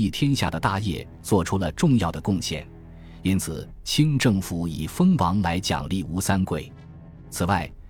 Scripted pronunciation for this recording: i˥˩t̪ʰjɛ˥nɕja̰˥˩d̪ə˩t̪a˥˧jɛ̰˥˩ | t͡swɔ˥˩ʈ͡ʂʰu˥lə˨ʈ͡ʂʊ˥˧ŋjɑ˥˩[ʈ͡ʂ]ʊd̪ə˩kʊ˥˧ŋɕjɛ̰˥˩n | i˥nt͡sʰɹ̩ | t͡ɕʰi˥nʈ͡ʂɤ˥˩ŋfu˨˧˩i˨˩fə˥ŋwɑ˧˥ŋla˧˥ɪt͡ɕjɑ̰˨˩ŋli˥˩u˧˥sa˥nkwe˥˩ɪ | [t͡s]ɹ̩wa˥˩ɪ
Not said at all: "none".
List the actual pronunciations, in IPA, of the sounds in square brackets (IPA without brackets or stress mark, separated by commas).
none, t͡sʰ